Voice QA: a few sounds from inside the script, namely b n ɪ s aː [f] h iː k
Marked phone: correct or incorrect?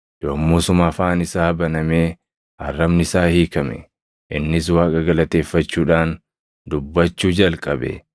incorrect: none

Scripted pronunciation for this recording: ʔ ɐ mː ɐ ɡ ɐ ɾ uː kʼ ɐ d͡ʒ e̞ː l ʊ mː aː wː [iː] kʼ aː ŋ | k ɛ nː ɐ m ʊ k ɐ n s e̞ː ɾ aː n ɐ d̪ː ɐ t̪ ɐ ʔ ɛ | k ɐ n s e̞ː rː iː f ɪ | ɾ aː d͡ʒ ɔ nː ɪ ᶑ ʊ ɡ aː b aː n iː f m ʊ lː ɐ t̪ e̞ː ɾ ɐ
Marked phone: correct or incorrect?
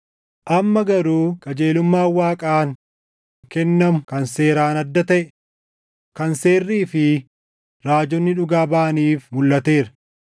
incorrect: aː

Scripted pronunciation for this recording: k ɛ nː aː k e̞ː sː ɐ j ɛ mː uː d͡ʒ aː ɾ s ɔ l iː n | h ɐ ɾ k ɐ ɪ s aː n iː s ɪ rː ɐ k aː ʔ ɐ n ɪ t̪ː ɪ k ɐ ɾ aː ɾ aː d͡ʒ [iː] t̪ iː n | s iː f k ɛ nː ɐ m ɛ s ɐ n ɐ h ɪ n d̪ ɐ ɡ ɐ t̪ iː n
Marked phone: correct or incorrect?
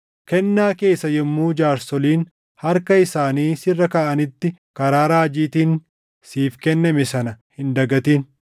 correct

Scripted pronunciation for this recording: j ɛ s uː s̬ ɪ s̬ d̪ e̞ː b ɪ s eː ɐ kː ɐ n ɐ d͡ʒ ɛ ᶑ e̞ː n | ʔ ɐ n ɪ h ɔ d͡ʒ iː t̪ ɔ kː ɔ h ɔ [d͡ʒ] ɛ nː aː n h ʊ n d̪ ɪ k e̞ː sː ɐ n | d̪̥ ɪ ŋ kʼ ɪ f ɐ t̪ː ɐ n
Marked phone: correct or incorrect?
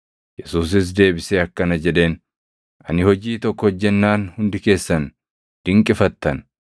incorrect: d͡ʒː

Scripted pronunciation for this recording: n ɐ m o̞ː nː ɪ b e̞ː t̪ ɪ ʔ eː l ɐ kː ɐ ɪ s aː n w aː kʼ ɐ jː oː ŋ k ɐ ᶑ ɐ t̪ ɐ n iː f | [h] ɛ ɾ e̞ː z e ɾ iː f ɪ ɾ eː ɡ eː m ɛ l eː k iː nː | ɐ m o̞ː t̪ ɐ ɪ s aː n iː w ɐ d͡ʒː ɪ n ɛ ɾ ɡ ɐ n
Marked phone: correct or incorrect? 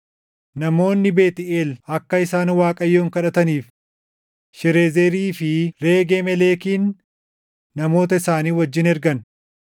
incorrect: ʃ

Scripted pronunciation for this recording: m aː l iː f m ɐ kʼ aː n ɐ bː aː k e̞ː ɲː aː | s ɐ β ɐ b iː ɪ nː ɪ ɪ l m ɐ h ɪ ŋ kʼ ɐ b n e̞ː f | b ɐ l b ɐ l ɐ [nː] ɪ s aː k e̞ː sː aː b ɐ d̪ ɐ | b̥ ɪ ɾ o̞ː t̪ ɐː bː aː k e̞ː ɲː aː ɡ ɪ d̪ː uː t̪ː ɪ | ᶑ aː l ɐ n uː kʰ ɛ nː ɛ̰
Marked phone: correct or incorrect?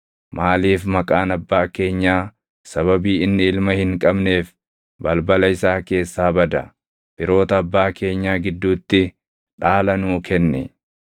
incorrect: none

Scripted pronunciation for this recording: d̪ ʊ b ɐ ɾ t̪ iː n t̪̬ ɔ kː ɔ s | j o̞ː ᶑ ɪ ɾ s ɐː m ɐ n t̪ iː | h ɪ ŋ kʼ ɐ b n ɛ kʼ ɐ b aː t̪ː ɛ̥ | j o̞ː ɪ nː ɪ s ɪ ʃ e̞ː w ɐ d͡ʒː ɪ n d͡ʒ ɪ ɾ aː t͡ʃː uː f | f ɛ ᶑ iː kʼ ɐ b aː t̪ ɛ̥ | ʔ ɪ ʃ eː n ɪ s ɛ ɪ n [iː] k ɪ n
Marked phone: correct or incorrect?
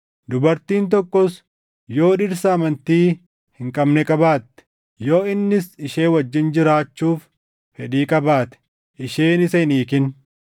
correct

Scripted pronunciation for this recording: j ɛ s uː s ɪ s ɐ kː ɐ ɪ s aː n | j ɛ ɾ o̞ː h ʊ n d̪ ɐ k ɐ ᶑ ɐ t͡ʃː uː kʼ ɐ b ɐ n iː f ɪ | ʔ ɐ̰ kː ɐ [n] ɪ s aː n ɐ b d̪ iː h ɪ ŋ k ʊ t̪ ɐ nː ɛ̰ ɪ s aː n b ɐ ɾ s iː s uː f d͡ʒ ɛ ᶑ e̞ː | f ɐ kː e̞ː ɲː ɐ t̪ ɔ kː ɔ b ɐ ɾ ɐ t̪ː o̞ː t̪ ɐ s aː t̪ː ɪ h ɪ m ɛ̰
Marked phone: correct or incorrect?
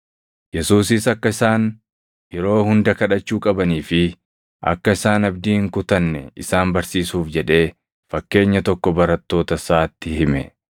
incorrect: none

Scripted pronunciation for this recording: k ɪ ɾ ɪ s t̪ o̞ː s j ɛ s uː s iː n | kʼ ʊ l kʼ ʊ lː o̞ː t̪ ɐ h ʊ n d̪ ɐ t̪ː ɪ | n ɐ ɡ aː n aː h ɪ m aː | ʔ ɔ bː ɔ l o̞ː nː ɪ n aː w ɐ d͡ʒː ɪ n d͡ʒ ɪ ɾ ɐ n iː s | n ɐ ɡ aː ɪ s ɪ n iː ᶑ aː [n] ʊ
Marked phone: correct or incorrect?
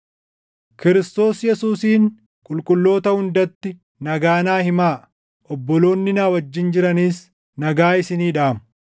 incorrect: m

